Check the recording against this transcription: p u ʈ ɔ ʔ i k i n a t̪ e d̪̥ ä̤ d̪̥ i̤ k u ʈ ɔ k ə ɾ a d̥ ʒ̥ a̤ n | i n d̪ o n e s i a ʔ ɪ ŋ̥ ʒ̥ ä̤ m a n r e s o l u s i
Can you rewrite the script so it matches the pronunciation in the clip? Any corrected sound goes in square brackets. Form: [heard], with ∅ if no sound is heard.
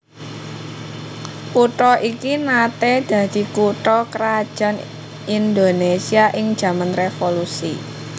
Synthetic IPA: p u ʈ ɔ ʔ i k i n a t̪ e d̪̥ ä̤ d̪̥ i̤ k u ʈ ɔ k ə ɾ a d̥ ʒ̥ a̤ n | i n d̪ o n e s i a ʔ ɪ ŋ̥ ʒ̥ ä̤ m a n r e [f] o l u s i